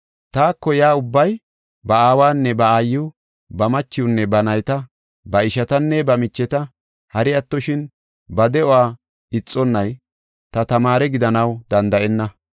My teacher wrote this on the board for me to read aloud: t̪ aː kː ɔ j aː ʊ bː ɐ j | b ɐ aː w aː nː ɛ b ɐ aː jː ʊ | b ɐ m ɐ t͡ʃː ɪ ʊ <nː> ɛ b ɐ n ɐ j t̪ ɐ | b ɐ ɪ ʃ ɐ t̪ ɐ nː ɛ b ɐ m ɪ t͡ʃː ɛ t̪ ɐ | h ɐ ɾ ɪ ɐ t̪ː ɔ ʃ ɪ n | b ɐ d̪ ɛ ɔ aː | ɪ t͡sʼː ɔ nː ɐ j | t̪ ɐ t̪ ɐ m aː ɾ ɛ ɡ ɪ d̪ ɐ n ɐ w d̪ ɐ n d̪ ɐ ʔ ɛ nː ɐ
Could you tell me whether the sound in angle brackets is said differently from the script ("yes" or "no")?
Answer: no